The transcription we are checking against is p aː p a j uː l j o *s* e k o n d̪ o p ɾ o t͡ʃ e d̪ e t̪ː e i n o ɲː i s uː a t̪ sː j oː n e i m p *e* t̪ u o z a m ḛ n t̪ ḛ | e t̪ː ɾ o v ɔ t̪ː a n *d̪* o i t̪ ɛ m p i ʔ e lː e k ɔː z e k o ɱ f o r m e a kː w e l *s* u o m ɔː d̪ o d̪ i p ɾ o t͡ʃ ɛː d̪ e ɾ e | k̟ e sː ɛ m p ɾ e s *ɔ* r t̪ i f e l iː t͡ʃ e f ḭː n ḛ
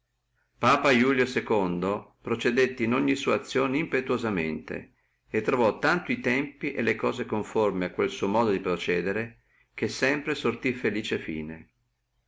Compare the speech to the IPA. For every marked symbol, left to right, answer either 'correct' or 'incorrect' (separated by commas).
correct, correct, incorrect, correct, incorrect